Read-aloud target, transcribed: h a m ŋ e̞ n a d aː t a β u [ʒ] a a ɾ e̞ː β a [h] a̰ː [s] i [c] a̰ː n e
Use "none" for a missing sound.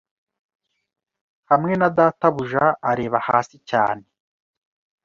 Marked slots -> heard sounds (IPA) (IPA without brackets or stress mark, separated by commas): ʒ, h, s, c